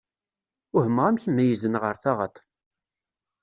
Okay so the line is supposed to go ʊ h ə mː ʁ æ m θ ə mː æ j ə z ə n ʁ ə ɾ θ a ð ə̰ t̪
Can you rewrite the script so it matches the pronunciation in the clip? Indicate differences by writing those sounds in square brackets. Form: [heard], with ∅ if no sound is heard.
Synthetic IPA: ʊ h ə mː ʁ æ m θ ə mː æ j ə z ə n ʁ ə ɾ θ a [ʁ] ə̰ t̪